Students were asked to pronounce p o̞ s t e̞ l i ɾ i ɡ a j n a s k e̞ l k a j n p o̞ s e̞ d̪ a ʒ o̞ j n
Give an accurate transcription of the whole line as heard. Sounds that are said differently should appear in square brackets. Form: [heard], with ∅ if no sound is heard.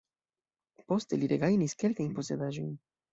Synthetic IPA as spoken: p o̞ s t e̞ l i ɾ [e] ɡ a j n [i] s k e̞ l k a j n p o̞ s e̞ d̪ a ʒ o̞ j n